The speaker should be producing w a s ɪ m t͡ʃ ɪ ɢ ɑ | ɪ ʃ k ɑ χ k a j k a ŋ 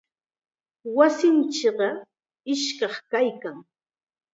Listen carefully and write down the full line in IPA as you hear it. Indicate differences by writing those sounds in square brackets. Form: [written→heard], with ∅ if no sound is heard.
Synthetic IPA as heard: w a s ɪ [m→n] t͡ʃ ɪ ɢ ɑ | ɪ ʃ k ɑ χ k a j k a ŋ